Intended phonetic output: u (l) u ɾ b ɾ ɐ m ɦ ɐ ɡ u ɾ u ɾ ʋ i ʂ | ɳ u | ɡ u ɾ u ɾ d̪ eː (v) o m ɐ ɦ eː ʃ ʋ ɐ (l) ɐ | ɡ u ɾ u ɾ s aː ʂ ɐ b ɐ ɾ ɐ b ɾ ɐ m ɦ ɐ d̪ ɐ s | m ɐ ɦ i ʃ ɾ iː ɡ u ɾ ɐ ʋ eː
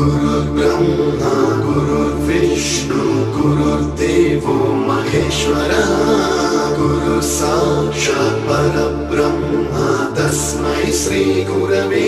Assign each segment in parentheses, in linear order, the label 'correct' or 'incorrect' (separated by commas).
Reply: incorrect, incorrect, incorrect